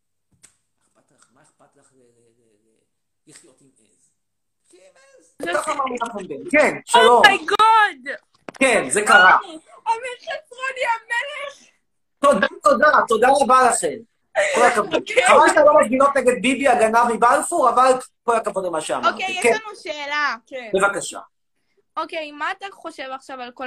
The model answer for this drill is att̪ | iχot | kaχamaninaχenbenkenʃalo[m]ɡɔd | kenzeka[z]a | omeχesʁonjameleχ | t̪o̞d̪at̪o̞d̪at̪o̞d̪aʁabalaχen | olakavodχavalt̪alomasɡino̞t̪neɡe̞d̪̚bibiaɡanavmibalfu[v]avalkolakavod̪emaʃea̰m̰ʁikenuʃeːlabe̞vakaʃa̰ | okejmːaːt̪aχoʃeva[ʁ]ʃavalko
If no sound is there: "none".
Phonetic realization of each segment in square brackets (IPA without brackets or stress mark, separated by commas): m, ʁ, ʁ, χ